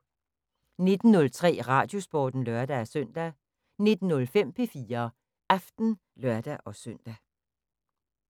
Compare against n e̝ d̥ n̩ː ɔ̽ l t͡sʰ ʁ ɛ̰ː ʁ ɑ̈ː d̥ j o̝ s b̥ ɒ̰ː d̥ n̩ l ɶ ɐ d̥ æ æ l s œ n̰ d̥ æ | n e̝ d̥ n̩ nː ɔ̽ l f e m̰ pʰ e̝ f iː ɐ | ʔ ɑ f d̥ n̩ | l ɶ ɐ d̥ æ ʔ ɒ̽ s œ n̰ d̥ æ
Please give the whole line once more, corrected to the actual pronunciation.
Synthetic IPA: n e̝ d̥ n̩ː ɔ̽ l t͡sʰ ʁ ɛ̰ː ʁ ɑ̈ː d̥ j o̝ s b̥ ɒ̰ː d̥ n̩ l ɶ ɐ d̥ æ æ s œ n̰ d̥ æ | n e̝ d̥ n̩ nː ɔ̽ l f e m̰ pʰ e̝ f iː ɐ | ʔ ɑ f d̥ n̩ | l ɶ ɐ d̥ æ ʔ ɒ̽ s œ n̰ d̥ æ

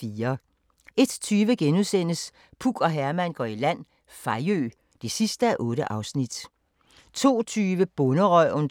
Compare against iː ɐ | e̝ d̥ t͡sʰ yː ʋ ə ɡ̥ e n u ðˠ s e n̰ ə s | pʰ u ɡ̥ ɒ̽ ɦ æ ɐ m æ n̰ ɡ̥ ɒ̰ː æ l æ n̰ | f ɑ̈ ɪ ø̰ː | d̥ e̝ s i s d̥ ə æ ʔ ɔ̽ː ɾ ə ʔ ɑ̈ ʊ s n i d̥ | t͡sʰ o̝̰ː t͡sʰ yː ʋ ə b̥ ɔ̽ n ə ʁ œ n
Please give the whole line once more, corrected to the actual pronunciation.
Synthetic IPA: iː ɐ | e̝ d̥ t͡sʰ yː ʋ ə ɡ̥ e n u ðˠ s e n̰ ə s | pʰ u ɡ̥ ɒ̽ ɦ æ ɐ m æ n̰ ɡ̥ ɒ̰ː i l æ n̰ | f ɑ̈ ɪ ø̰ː | d̥ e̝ s i s d̥ ə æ ʔ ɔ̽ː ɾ ə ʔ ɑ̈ ʊ s n i d̥ | t͡sʰ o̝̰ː t͡sʰ yː ʋ ə b̥ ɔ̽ n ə ʁ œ n

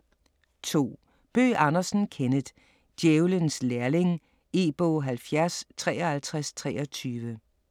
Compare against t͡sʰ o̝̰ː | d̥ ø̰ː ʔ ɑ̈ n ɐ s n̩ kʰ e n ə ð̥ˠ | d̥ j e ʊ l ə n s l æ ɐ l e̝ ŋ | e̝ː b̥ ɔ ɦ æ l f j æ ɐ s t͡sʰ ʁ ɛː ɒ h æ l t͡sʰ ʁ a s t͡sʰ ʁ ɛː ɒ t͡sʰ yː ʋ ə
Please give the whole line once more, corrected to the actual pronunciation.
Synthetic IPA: t͡sʰ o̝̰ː | b̥ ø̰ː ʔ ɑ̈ n ɐ s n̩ kʰ e n ə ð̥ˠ | d̥ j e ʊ l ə n s l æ ɐ l e̝ ŋ | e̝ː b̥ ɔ ɦ æ l f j æ ɐ s t͡sʰ ʁ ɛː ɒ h æ l t͡sʰ ʁ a s t͡sʰ ʁ ɛː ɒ t͡sʰ yː ʋ ə

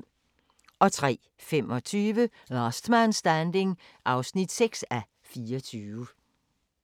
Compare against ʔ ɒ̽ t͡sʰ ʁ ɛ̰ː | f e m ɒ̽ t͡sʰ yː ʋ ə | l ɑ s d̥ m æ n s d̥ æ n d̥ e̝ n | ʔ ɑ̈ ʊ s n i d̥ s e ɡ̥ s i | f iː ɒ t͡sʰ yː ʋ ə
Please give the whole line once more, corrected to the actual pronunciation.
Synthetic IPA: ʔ ɒ̽ t͡sʰ ʁ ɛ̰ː | f e m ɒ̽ t͡sʰ yː ʋ ə | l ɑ s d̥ m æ n s d̥ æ n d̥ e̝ ŋ | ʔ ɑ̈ ʊ s n i d̥ s e ɡ̥ s æ | f iː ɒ t͡sʰ yː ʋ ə

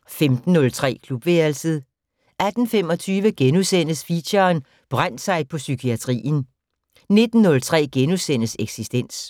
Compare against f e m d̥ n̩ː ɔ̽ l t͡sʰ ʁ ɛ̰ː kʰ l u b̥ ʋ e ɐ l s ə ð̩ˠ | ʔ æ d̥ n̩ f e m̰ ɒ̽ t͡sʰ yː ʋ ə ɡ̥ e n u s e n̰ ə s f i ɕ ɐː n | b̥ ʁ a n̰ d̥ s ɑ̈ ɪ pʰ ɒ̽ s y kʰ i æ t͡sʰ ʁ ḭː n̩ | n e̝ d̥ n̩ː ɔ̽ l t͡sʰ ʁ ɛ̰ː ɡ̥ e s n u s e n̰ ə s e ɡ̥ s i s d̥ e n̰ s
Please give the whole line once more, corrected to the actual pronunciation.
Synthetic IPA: f e m d̥ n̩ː ɔ̽ l t͡sʰ ʁ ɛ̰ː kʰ l u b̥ ʋ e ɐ l s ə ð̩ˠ | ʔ æ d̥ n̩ f e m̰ ɒ̽ t͡sʰ yː ʋ ə ɡ̥ e n u s e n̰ ə s f i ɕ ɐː n | b̥ ʁ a n̰ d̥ s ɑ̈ ɪ pʰ ɒ̽ s y kʰ i æ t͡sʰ ʁ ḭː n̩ | n e̝ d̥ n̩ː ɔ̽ l t͡sʰ ʁ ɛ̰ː ɡ̥ e n u s e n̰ ə s e ɡ̥ s i s d̥ e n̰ s

